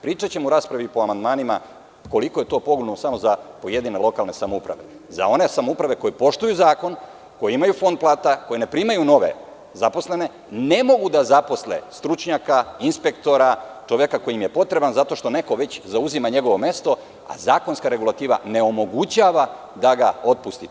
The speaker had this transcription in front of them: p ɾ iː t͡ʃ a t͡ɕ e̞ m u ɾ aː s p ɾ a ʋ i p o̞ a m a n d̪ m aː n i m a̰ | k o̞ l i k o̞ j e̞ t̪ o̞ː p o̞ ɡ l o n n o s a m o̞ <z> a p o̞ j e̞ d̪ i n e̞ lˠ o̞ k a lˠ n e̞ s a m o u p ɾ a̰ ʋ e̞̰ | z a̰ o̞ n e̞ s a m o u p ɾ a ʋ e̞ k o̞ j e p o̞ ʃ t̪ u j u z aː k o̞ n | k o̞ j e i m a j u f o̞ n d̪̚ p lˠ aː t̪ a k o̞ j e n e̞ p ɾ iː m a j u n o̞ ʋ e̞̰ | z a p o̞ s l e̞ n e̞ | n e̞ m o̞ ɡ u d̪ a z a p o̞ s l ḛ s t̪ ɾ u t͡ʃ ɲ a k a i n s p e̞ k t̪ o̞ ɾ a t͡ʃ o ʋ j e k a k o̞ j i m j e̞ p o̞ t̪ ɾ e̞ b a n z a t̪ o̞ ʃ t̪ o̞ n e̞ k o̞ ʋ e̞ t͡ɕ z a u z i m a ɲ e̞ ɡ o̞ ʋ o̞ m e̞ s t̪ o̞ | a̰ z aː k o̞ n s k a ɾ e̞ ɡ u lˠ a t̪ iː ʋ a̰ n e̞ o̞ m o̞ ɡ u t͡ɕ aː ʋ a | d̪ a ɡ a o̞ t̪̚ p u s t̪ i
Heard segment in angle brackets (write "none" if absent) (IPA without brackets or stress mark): z